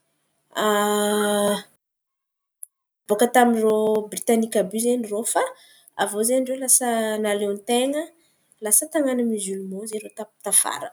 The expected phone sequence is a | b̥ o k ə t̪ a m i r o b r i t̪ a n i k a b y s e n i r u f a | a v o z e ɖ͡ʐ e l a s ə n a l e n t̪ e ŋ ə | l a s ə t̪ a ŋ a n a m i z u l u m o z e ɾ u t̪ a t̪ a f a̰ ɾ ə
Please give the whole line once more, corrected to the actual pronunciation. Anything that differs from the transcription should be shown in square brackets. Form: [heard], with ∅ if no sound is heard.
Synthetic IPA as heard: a | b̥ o k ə t̪ a m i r o b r i t̪ a n i k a b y [z] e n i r [o] f a | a v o z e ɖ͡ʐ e l a s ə n a l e n t̪ e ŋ ə | l a s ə t̪ a ŋ a n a m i z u l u m o z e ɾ [o] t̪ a t̪ a f a̰ ɾ ə